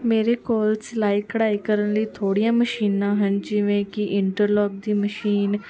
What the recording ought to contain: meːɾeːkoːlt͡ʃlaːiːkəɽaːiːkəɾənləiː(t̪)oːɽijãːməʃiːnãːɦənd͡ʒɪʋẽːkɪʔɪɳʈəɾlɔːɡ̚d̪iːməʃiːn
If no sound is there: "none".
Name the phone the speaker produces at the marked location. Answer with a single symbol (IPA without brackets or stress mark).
t̪ʰ